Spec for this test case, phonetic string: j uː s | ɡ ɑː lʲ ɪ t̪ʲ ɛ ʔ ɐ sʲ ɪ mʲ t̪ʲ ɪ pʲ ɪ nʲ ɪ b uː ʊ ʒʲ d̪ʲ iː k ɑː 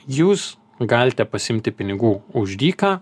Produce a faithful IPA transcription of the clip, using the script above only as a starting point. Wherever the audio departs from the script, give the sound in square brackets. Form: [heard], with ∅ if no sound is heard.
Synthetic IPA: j uː s | ɡ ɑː lʲ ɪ t̪ʲ ɛ [p] ɐ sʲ ɪ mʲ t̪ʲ ɪ pʲ ɪ nʲ ɪ [ɡ] uː ʊ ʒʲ d̪ʲ iː k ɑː